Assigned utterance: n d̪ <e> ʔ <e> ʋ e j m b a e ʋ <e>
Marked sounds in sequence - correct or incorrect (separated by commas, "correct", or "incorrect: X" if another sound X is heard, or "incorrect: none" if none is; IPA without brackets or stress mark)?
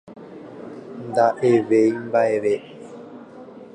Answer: incorrect: a, correct, correct